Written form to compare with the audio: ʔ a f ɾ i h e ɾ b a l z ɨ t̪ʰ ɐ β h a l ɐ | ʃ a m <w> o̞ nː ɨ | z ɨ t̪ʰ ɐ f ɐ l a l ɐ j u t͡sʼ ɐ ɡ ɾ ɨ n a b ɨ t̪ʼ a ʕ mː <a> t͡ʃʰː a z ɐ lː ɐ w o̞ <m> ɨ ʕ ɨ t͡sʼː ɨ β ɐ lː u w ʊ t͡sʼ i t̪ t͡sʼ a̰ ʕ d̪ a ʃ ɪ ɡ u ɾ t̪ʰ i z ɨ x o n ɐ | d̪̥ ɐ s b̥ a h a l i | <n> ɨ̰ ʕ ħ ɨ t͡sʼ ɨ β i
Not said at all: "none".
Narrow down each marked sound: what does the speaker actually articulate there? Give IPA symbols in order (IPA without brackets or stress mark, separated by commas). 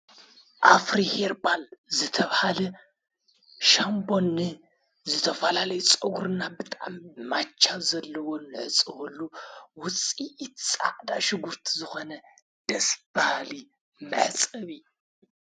b, a, n, m